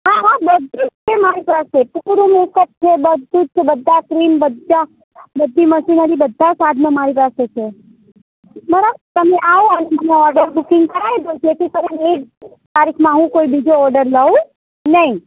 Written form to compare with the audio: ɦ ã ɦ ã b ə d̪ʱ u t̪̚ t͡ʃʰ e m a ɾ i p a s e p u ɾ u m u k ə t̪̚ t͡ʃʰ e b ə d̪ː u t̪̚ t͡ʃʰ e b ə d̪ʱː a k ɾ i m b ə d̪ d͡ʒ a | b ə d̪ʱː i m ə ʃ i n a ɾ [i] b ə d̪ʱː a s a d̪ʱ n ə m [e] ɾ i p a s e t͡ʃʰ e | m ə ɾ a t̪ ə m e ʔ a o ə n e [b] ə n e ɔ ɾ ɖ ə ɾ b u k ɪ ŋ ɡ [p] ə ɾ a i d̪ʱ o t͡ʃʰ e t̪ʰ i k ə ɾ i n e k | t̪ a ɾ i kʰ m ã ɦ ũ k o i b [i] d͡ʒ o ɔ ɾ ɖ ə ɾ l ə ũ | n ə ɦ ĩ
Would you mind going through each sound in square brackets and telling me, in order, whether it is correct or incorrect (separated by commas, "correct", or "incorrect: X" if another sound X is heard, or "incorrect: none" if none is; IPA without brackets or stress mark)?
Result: correct, incorrect: a, incorrect: m, incorrect: k, correct